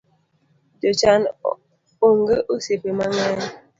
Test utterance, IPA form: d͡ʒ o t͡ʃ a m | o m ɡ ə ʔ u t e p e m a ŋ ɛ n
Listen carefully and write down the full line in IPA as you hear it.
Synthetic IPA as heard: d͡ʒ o t͡ʃ a n | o ŋ ɡ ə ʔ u s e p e m a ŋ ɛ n